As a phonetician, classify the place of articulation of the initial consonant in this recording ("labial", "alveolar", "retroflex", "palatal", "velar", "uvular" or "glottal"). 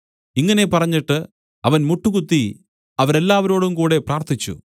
velar